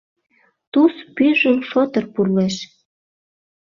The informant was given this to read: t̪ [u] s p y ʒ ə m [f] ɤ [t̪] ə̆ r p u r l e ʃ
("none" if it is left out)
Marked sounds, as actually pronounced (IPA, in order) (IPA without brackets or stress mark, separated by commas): u, f, t̪